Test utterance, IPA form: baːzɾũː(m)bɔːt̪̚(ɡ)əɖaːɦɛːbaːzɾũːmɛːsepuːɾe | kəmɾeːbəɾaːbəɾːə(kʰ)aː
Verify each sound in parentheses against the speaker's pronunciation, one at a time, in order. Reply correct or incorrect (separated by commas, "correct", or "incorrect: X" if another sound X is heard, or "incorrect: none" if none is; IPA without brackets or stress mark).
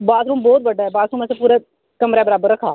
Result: correct, incorrect: b, correct